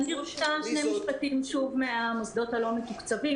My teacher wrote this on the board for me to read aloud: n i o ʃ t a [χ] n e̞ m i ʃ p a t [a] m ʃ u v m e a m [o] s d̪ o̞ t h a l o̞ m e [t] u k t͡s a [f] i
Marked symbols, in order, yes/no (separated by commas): no, no, yes, yes, no